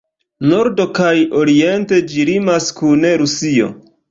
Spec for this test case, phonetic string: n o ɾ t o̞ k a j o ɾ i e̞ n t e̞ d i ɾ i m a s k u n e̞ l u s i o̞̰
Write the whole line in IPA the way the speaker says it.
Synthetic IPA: n o ɾ d o̞ k a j o ɾ i e̞ n t e̞ d͡ʒ i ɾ i m a s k u n e̞ ɾ u s i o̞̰